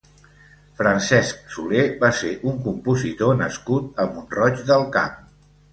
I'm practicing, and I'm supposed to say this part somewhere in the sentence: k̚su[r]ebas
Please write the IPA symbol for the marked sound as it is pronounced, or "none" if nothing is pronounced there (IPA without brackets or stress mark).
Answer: l